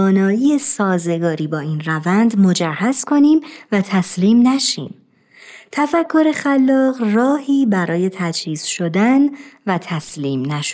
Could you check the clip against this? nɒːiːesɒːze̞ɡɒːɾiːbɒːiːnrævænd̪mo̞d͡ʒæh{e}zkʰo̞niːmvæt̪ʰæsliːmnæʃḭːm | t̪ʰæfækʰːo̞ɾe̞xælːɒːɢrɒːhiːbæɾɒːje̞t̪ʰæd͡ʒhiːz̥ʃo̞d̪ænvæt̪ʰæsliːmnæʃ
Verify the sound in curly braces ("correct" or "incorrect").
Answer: incorrect